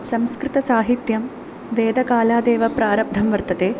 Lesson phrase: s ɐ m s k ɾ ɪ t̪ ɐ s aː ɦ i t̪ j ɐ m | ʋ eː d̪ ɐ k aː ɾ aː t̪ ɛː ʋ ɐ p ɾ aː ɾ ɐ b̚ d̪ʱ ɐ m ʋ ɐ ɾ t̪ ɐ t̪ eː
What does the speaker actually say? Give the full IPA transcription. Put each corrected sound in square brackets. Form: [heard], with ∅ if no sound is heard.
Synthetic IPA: s ɐ m s k ɾ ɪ t̪ ɐ s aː ɦ i t̪ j ɐ m | ʋ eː d̪ ɐ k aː [l] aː [d̪] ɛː ʋ ɐ p ɾ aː ɾ ɐ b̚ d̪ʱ ɐ m ʋ ɐ ɾ t̪ ɐ t̪ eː